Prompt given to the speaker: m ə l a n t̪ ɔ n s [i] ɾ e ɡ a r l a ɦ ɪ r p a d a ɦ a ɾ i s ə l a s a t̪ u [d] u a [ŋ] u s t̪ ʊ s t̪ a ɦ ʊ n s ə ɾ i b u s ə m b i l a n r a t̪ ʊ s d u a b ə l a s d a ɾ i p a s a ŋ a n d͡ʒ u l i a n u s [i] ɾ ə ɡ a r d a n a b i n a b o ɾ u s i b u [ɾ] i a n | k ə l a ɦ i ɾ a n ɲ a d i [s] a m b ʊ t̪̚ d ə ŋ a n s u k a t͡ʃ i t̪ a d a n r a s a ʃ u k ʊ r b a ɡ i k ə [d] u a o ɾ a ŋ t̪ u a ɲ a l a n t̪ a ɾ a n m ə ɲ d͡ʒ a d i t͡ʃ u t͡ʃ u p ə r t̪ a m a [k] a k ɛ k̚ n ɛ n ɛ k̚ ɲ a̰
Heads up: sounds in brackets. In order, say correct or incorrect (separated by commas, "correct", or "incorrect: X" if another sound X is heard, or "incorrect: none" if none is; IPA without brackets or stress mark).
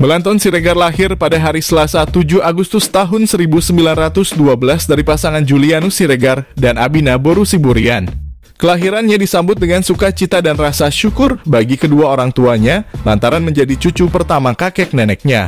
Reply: correct, incorrect: d͡ʒ, incorrect: ɡ, correct, correct, correct, correct, correct